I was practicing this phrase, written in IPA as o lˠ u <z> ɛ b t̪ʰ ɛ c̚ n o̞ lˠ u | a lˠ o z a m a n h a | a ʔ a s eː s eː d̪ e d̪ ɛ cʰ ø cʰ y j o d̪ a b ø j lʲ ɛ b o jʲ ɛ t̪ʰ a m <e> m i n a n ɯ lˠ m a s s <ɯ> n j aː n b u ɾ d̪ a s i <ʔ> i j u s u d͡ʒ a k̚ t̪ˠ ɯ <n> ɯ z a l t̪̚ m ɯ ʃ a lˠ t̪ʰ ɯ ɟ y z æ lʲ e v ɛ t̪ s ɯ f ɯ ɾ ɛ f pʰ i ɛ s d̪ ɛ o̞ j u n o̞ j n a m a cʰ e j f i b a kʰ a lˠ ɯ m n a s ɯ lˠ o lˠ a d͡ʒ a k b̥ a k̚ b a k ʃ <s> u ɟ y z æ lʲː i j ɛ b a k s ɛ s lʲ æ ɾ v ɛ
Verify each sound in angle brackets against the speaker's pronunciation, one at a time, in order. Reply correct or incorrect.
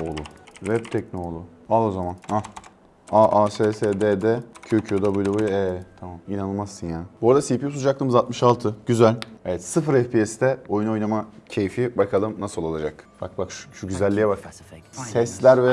incorrect, incorrect, correct, incorrect, incorrect, incorrect

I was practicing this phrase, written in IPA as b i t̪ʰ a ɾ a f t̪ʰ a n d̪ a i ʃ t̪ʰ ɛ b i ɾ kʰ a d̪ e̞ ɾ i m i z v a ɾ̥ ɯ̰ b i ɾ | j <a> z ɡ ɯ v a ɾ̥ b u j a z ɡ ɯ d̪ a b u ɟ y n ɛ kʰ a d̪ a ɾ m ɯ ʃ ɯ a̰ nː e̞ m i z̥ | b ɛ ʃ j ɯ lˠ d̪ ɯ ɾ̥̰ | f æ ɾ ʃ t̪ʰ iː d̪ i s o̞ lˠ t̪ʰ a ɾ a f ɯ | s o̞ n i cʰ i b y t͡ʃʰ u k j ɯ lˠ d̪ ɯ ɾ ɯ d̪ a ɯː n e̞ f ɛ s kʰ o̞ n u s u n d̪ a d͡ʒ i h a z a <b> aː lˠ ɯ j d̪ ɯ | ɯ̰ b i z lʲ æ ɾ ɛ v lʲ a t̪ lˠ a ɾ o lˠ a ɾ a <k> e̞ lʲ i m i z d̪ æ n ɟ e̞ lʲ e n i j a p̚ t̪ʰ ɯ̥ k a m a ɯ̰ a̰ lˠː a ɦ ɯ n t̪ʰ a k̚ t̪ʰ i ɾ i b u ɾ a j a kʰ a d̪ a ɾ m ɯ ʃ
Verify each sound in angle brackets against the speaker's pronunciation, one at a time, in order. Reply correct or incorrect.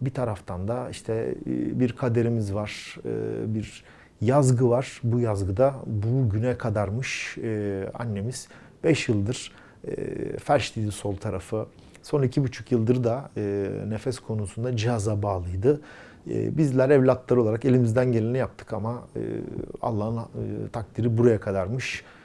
correct, correct, correct

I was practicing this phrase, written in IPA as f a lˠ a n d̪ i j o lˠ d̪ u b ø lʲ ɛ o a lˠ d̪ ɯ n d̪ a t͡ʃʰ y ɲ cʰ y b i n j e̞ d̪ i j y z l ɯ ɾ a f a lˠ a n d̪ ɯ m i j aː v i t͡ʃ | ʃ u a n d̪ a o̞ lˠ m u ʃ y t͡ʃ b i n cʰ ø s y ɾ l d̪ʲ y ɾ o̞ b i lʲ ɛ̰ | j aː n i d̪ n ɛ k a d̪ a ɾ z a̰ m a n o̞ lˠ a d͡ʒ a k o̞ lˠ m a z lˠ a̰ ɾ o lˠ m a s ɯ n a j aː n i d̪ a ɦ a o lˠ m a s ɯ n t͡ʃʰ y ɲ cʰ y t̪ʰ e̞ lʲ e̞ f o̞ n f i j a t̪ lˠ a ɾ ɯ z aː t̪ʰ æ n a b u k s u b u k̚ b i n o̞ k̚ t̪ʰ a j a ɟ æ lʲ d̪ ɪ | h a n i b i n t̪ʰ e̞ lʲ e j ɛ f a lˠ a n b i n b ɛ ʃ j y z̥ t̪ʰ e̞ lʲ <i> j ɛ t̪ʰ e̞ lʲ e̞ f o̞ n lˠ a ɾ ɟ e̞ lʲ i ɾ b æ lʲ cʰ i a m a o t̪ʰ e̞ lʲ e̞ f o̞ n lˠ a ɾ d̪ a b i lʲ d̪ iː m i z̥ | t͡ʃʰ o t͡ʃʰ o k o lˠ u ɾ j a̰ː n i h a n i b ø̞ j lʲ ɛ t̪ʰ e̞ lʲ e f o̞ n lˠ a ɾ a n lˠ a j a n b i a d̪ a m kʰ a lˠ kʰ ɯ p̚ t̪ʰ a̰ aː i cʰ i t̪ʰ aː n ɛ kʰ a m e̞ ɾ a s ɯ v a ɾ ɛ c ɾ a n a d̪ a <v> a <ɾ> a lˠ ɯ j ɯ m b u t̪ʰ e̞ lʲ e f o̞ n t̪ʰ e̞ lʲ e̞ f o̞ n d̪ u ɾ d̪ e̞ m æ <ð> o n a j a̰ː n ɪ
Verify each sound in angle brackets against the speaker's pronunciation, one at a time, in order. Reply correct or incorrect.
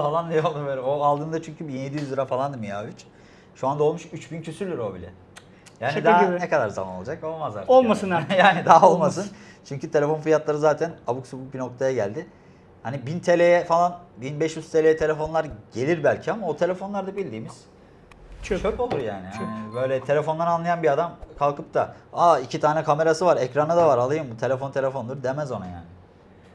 incorrect, correct, correct, incorrect

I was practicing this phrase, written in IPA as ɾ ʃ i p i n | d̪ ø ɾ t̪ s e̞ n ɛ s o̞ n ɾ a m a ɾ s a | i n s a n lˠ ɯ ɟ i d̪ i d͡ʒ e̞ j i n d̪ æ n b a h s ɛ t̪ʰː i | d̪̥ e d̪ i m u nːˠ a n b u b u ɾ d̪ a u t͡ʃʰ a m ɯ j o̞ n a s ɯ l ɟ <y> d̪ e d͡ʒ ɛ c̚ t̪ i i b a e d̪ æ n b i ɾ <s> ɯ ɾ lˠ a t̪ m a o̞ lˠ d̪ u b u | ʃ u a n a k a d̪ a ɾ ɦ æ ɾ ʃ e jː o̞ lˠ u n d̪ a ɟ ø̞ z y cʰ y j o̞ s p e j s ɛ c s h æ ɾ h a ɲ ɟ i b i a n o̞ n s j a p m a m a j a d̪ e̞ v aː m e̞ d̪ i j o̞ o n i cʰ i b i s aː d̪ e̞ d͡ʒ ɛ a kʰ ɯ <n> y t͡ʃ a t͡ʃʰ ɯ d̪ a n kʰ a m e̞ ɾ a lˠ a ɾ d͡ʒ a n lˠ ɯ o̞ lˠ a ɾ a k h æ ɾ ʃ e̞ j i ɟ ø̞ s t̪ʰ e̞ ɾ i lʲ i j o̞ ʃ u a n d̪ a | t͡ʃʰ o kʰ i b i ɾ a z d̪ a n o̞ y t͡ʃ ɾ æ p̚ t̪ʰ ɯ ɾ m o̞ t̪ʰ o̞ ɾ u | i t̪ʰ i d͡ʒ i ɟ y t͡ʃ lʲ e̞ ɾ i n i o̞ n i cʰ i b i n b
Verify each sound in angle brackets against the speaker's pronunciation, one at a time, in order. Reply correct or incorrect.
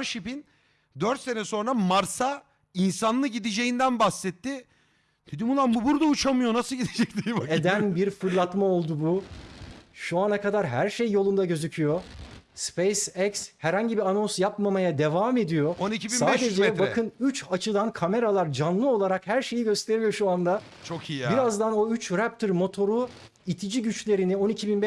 incorrect, incorrect, correct

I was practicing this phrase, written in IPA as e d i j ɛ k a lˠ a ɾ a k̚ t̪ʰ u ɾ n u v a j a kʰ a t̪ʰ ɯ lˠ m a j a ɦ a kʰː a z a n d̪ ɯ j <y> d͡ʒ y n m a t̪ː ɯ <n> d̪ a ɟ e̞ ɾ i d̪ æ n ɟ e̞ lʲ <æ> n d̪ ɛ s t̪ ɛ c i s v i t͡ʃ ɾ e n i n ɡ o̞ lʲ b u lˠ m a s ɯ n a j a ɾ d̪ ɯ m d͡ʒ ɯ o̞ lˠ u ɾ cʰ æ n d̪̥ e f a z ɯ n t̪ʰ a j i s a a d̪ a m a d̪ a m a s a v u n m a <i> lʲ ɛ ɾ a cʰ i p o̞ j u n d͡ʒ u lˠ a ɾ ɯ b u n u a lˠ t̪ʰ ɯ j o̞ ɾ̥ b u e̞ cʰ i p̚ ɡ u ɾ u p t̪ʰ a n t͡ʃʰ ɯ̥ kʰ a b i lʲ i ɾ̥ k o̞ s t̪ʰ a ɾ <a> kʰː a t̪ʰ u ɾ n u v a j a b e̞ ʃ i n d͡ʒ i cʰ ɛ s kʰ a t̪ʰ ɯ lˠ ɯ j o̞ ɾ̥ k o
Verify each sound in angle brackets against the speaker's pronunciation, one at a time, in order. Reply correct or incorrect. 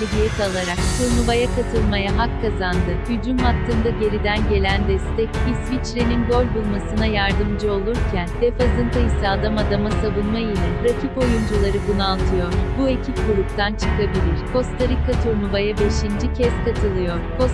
correct, correct, correct, correct, incorrect

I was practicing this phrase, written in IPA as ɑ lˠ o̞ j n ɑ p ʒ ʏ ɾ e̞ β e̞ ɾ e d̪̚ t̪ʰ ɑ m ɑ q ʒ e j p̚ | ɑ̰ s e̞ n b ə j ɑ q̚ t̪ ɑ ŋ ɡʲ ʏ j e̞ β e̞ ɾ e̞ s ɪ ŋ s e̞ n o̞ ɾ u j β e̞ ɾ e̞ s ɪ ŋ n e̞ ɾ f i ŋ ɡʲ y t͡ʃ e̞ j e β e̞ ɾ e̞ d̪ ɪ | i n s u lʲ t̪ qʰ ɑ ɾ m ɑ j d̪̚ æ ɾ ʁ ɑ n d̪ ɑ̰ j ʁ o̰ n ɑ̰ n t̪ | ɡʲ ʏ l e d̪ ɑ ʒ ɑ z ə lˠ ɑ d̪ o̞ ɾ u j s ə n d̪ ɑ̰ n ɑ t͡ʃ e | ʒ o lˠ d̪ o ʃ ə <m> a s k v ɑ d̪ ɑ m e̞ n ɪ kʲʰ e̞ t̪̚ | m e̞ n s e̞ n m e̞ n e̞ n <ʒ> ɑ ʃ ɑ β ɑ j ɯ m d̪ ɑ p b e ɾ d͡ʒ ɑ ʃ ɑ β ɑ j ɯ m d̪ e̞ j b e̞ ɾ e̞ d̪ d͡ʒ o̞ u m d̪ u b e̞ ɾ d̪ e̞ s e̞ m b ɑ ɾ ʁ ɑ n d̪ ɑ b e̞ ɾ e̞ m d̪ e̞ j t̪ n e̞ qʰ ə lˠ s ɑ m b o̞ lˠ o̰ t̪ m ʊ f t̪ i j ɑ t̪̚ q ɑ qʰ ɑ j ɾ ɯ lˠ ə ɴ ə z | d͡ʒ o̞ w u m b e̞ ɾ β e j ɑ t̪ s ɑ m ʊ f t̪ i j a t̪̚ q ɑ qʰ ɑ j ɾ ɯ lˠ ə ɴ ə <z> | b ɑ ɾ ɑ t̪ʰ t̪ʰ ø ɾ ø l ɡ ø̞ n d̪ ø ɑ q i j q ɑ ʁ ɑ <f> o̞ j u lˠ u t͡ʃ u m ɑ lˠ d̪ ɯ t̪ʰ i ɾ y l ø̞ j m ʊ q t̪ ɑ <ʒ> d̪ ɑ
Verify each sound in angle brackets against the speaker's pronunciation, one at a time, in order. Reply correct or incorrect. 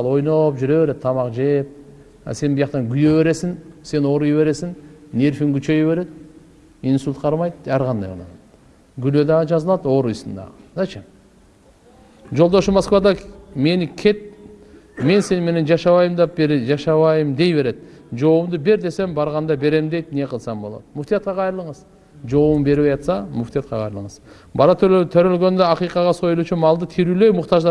correct, incorrect, correct, incorrect, correct

